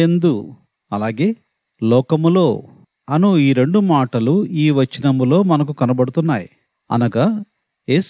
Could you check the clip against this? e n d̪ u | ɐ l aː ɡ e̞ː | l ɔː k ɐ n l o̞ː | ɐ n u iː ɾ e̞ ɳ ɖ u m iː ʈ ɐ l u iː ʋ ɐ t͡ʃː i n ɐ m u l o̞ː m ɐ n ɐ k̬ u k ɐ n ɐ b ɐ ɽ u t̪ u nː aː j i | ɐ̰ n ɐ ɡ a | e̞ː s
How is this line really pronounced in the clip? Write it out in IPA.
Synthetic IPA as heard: e n d̪ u | ɐ l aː ɡ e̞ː | l ɔː k ɐ m l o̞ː | ɐ n u iː ɾ e̞ ɳ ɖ u m aː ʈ ɐ l u iː ʋ ɐ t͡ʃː i n ɐ m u l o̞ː m ɐ n ɐ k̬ u k ɐ n ɐ b ɐ ɽ u t̪ u nː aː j i | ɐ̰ n ɐ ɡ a | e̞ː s